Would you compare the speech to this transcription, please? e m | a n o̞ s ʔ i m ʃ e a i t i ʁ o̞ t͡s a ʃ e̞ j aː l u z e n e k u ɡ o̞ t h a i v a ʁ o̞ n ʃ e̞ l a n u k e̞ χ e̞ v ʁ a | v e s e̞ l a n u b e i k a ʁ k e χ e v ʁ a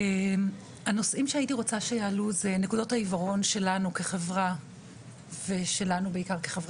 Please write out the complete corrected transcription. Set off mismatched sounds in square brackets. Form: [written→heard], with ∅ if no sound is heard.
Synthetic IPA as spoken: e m | a n o̞ s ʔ i m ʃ e a i t i ʁ o̞ t͡s a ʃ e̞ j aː l u z e n e k u [ɡ→d] o̞ t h a i v a ʁ o̞ n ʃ e̞ l a n u k e̞ χ e̞ v ʁ a | v e [s→ʃ] e̞ l a n u b e i k a ʁ k e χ e v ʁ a

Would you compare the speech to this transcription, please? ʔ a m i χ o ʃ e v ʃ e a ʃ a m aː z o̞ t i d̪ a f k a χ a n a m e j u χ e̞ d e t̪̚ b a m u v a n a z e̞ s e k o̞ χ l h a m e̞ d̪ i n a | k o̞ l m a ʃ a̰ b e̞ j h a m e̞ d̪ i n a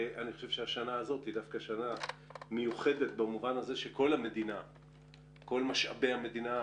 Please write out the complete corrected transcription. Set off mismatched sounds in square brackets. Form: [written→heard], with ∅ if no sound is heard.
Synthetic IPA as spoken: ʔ a [m→n] i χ o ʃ e v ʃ e a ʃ a [m→n] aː z o̞ t i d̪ a f k a [χ→ʃ] a n a m e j u χ e̞ d e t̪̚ b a m u v a n a z e̞ [s→ʃ] e k o̞ [χ→∅] l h a m e̞ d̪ i n a | k o̞ l m a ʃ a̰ b e̞ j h a m e̞ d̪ i n a

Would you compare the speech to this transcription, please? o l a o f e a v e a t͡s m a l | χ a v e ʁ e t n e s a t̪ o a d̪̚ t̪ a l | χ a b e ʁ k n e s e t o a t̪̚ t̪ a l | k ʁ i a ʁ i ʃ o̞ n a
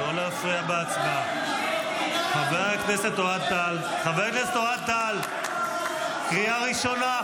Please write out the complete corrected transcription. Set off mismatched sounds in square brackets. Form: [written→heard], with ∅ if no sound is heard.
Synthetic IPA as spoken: o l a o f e a [v→b] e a t͡s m a [l→∅] | χ a v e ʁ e [t→k] n e s [a→e] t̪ o a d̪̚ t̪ a l | χ a [b→v] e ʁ k n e s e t o a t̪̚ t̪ a l | k ʁ i a ʁ i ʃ o̞ n a

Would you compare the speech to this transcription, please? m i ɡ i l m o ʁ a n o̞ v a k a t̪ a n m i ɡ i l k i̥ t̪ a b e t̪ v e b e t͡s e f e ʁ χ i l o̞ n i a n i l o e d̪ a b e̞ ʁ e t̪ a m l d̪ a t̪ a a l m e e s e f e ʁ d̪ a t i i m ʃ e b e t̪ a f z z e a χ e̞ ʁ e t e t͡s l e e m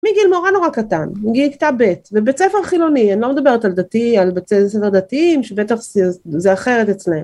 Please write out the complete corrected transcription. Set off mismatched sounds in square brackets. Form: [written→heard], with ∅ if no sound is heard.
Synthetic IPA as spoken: m i ɡ i l m o ʁ a n o̞ [v→ʁ] a k a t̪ a n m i ɡ i l k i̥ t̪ a b e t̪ v e b e t͡s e f e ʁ χ i l o̞ n i a n i l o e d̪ a b e̞ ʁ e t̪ a [m→∅] l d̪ a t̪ [a→i] a l [m→b] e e s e f e ʁ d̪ a t i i m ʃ e b e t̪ a [f→χ] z z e a χ e̞ ʁ e t e t͡s l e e m

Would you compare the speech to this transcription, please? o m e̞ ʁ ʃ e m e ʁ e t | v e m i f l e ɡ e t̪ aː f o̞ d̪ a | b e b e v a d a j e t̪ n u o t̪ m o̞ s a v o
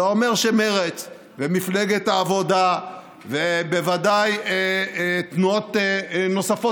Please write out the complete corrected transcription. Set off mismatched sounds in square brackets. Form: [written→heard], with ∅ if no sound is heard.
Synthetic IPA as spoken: o m e̞ ʁ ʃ e m e ʁ e [t→t͡s] | v e m i f l e ɡ e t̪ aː [f→v] o̞ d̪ a | [b→v] e b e v a d a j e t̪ n u o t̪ [m→n] o̞ s a [v→f] o

